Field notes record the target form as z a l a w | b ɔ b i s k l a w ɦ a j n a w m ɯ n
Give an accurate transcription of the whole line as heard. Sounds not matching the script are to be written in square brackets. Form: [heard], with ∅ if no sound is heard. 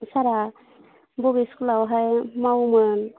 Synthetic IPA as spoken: [s] a [ɾ] a [∅] | b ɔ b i s k l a w ɦ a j [m] a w m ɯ n